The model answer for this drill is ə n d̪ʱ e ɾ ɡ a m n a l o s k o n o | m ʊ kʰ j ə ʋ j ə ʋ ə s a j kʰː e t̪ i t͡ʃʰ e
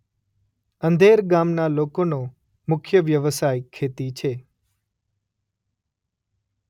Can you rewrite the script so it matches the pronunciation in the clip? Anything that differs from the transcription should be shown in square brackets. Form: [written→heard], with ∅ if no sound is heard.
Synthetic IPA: ə n d̪ʱ e ɾ ɡ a m n a l o [s→∅] k o n o | m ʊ kʰ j ə ʋ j ə ʋ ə s a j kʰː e t̪ i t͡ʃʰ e

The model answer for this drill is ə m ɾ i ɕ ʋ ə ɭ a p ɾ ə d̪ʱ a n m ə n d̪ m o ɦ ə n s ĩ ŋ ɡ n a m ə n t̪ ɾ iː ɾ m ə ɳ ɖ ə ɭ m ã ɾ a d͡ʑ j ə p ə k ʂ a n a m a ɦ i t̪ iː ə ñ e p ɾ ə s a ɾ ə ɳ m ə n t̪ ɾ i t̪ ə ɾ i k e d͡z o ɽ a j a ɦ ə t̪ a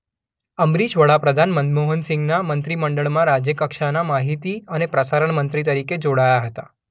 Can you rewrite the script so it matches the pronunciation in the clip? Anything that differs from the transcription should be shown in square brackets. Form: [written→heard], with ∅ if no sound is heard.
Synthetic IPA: ə m ɾ i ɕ ʋ ə ɭ a p ɾ ə d̪ʱ a n m ə n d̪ m o ɦ ə n s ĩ ŋ ɡ n a m ə n t̪ ɾ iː [ɾ→∅] m ə ɳ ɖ ə ɭ m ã ɾ a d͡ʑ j ə [p→k] ə k ʂ a n a m a ɦ i t̪ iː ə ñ e p ɾ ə s a ɾ ə ɳ m ə n t̪ ɾ i t̪ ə ɾ i k e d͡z o ɽ a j a ɦ ə t̪ a

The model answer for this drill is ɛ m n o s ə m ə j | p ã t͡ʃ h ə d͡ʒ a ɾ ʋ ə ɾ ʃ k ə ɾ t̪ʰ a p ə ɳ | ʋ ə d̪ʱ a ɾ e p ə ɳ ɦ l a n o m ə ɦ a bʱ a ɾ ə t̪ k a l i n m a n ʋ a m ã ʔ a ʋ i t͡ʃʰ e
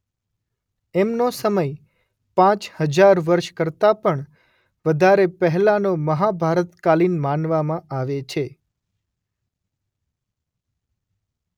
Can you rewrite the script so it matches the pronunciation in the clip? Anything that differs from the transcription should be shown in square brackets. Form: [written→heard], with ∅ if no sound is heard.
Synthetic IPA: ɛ m n o s ə m ə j | p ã t͡ʃ h ə d͡ʒ a ɾ ʋ ə ɾ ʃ k ə ɾ [t̪ʰ→t̪] a p ə ɳ | ʋ ə d̪ʱ a ɾ e p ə [ɳ→∅] ɦ l a n o m ə ɦ a bʱ a ɾ ə t̪ k a l i n m a n ʋ a m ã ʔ a ʋ [i→e] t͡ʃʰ e

